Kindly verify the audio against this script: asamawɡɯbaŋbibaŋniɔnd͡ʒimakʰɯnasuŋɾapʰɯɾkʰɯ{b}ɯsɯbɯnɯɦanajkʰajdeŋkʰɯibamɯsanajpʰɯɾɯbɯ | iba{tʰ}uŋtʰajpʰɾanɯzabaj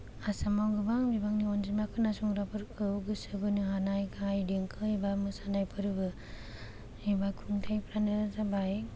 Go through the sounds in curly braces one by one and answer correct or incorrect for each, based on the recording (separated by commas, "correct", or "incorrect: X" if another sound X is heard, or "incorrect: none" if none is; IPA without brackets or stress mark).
incorrect: ɡ, incorrect: kʰ